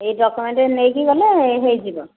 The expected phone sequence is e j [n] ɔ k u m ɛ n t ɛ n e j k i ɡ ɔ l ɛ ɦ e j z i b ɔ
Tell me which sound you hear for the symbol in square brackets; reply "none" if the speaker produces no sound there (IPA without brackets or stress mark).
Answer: d